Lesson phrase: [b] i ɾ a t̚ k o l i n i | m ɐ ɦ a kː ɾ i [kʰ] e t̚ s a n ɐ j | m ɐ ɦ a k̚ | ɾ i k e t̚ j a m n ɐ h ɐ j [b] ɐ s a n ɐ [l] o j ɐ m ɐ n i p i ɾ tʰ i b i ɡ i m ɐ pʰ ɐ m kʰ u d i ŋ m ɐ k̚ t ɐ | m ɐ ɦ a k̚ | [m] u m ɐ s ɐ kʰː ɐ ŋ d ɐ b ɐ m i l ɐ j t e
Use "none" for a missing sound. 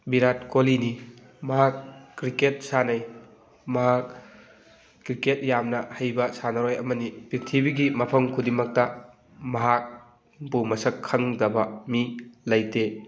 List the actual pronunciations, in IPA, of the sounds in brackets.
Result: b, k, b, ɾ, b

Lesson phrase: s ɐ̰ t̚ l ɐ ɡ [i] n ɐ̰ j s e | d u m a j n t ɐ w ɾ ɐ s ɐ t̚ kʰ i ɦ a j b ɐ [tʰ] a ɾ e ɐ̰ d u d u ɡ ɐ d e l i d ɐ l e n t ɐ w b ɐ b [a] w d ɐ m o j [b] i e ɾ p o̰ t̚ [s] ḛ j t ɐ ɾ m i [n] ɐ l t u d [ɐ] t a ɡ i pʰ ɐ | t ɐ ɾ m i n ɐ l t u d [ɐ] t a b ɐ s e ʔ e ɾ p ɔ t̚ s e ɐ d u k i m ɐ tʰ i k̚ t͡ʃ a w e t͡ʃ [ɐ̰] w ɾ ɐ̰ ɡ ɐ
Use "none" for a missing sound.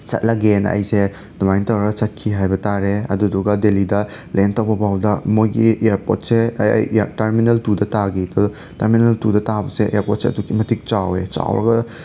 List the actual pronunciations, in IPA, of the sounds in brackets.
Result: e, t, a, ɡ, s, n, ɐ, ɐ, a̰

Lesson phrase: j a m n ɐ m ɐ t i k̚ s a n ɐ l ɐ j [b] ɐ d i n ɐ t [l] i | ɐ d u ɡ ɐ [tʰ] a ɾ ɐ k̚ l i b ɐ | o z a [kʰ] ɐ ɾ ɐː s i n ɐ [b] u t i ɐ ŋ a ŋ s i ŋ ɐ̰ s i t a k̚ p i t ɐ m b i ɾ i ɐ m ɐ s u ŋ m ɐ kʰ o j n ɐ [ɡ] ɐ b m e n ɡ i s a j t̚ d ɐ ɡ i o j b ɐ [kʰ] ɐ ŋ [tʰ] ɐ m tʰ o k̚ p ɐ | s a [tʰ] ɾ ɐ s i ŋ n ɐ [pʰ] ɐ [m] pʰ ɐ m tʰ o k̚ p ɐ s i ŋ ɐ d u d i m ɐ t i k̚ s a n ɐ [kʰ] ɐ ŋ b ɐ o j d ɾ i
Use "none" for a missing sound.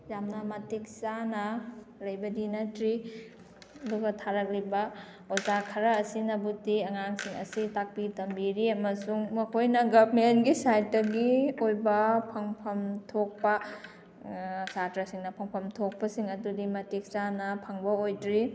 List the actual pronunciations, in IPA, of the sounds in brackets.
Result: b, ɾ, tʰ, kʰ, b, ɡ, pʰ, pʰ, t, pʰ, ŋ, pʰ

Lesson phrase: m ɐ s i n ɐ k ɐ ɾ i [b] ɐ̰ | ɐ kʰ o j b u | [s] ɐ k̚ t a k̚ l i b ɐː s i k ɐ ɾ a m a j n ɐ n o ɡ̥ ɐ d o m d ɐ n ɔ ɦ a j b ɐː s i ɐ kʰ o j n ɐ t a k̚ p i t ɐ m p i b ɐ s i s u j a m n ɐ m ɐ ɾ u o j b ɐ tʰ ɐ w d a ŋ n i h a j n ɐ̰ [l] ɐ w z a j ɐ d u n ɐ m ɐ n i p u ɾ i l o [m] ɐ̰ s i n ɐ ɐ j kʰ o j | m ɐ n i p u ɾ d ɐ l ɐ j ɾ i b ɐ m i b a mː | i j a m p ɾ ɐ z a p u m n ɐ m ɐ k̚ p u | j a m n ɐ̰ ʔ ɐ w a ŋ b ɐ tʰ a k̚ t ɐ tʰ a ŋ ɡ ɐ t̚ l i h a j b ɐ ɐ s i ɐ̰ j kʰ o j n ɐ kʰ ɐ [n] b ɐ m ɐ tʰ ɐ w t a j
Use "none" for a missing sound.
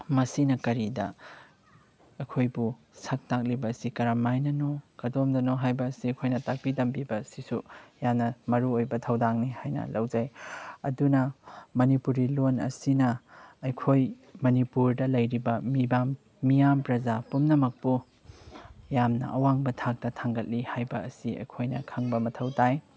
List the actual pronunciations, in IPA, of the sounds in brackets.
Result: d, s, l, n, ŋ

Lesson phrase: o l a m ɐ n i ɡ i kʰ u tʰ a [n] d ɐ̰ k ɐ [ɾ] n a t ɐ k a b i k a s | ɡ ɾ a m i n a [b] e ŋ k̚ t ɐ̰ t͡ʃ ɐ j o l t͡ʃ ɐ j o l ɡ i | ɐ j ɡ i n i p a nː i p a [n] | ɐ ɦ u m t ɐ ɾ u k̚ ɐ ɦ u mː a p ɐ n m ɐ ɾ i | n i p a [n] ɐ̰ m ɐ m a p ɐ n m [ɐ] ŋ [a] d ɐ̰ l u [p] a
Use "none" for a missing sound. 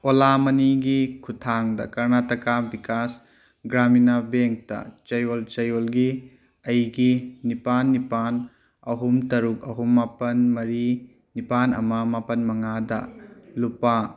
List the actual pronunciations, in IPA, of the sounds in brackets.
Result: ŋ, ɾ, b, n, n, ɐ, a, p

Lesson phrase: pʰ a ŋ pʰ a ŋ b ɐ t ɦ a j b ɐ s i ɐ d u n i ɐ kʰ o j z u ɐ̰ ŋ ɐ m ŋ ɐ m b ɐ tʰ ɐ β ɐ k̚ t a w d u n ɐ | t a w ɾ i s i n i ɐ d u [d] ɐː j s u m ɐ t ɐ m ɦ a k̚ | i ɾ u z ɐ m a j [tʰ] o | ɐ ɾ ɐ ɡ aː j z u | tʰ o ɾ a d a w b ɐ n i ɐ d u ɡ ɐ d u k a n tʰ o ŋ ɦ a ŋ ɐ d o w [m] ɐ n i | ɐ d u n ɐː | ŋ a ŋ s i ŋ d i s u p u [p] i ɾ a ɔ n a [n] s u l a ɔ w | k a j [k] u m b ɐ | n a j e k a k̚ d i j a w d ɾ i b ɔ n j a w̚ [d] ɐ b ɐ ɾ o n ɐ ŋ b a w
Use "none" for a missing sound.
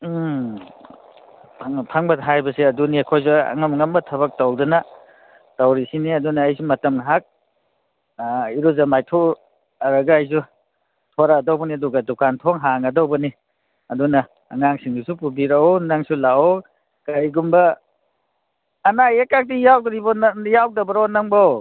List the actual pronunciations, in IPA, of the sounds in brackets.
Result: n, tʰ, b, b, ŋ, ɡ, d

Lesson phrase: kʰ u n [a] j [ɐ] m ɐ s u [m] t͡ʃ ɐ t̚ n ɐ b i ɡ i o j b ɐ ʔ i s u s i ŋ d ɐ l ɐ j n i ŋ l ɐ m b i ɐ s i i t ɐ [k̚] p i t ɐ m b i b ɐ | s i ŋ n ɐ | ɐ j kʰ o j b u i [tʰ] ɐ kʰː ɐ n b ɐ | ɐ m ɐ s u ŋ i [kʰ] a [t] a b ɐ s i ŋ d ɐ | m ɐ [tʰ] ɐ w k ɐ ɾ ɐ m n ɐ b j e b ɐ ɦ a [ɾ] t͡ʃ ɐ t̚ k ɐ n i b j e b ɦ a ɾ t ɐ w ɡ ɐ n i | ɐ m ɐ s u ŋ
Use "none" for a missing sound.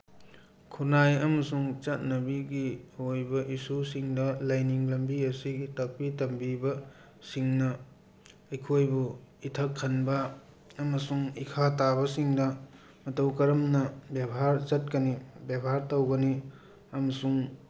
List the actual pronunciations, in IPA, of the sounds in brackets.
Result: a, ɐ, ŋ, k̚, tʰ, kʰ, t, t, ɾ

